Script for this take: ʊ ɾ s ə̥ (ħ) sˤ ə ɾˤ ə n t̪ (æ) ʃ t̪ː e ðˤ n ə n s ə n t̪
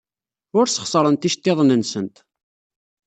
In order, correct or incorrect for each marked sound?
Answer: incorrect, incorrect

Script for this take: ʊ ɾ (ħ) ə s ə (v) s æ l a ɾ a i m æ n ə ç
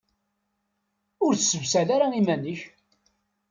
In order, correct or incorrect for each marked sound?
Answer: incorrect, correct

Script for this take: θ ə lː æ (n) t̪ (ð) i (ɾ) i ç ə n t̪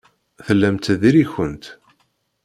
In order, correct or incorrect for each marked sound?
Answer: incorrect, correct, correct

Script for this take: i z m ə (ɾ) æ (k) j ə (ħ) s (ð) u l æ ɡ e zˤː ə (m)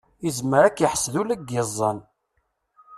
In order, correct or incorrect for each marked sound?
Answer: correct, correct, correct, correct, incorrect

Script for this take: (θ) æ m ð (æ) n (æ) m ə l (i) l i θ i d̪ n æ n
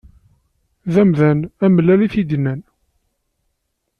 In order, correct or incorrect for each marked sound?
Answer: incorrect, correct, correct, incorrect

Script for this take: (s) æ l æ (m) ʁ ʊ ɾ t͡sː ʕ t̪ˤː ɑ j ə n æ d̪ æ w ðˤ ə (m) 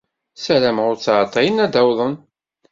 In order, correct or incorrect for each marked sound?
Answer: correct, correct, incorrect

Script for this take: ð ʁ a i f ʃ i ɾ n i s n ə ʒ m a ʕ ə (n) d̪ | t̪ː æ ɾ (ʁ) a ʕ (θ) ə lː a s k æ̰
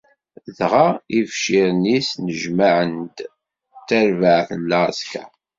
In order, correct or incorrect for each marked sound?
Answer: correct, incorrect, correct

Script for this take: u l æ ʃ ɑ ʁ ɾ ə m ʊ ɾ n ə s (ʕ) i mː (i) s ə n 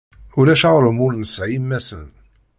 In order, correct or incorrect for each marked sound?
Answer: correct, incorrect

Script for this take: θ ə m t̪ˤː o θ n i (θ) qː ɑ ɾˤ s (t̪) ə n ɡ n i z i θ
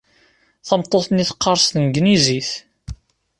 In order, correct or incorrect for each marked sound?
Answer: correct, correct

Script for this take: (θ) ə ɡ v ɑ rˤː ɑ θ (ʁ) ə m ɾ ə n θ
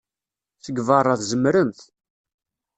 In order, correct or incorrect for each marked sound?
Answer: correct, incorrect

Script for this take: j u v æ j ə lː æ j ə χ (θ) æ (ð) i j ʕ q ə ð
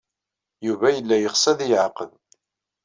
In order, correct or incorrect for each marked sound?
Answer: incorrect, correct

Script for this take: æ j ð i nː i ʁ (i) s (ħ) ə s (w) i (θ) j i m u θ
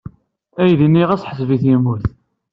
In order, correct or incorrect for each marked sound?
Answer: incorrect, correct, incorrect, correct

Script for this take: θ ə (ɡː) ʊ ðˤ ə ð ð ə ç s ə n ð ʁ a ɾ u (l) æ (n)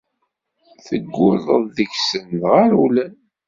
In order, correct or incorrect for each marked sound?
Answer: correct, correct, correct

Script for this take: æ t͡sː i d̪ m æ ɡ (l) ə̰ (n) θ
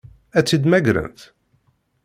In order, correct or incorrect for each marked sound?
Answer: incorrect, correct

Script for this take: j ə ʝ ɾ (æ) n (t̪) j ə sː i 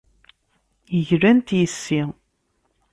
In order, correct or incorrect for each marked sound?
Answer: correct, correct

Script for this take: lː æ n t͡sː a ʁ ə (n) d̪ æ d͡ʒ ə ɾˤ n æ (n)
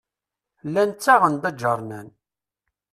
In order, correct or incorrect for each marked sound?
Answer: correct, correct

